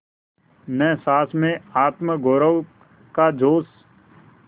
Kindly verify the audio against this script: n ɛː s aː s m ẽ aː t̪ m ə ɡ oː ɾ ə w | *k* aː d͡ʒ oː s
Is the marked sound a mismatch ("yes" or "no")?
no